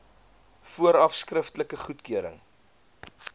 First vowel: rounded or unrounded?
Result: rounded